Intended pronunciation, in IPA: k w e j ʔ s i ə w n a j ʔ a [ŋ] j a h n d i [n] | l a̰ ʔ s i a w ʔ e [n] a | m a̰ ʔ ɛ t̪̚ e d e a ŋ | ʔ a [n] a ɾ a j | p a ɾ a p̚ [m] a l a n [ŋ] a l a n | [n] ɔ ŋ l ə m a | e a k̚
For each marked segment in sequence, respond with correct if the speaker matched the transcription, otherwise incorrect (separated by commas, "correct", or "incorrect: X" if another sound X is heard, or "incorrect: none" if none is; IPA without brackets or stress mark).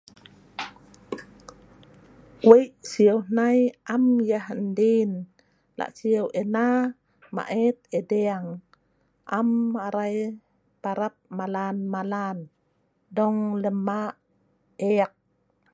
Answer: incorrect: m, correct, correct, incorrect: m, correct, incorrect: m, incorrect: d